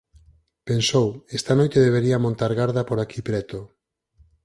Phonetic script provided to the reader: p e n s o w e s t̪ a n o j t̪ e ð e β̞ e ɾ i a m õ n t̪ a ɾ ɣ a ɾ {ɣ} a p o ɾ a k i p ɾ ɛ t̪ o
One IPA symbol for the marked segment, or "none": ð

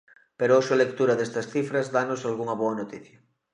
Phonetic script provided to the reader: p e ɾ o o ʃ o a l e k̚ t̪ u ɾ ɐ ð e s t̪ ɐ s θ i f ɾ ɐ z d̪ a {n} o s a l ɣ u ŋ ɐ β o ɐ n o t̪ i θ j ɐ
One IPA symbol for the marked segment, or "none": n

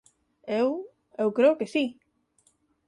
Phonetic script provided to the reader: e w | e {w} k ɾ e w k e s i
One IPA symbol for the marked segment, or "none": w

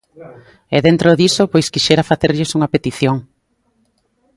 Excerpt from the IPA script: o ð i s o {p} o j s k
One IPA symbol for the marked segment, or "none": p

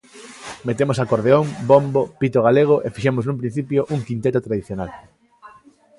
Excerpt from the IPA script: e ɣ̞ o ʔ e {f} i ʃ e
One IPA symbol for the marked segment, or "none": f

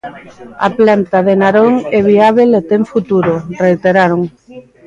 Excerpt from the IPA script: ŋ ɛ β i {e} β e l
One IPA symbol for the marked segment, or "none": a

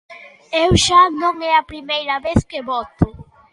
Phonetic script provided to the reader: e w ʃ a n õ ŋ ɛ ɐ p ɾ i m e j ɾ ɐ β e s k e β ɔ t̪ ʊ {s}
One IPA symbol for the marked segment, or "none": none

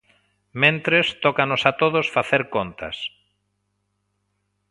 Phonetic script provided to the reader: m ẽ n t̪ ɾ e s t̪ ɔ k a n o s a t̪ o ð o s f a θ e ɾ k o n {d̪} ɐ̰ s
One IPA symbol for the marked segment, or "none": t̪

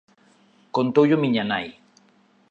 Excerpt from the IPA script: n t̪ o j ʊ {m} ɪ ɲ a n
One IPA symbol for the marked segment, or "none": m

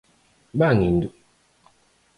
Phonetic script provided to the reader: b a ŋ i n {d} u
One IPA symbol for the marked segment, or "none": d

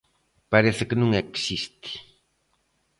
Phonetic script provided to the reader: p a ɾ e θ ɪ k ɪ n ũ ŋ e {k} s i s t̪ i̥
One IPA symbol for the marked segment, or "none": k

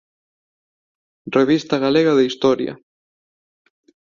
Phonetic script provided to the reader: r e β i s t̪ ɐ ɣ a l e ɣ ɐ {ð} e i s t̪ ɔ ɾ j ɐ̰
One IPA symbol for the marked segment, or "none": ð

